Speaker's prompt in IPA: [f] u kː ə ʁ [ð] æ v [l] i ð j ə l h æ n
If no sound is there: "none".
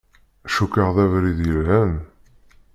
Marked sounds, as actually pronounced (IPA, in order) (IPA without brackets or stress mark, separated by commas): ʃ, ð, ɾ